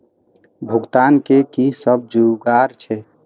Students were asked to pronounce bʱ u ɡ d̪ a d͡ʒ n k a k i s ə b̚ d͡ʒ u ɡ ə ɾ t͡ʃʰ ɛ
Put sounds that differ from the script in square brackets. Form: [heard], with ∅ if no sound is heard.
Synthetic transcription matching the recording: bʱ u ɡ [t̪] a [∅] n k [e] k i s ə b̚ d͡ʒ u ɡ [a] ɾ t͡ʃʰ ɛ